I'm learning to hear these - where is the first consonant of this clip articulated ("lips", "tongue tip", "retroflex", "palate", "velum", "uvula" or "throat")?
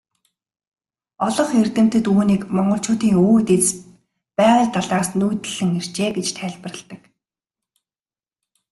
tongue tip